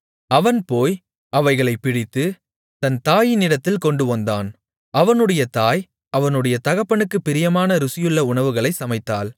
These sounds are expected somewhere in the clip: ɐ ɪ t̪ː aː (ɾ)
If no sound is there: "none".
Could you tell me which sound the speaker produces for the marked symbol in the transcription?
l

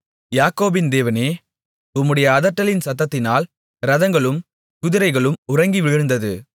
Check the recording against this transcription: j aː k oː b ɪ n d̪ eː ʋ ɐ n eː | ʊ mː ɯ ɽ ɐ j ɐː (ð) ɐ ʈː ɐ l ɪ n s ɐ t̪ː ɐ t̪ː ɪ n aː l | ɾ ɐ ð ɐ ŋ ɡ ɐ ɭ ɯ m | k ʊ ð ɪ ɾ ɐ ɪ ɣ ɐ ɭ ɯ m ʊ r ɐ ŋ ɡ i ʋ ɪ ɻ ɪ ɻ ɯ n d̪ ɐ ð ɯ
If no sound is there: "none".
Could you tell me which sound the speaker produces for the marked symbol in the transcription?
ð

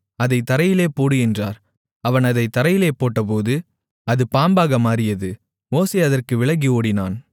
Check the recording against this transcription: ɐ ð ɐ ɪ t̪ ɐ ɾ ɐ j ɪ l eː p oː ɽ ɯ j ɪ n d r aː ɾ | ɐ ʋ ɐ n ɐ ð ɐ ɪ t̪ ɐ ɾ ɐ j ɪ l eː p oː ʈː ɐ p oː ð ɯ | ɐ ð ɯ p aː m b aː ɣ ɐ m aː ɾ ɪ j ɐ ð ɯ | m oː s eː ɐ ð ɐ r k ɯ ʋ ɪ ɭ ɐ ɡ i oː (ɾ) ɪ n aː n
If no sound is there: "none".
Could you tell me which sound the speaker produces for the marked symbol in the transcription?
ɽ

